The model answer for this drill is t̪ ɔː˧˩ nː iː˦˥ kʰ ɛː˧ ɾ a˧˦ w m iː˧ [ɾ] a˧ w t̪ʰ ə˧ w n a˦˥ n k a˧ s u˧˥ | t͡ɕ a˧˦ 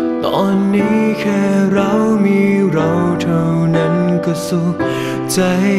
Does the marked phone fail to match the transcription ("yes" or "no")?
no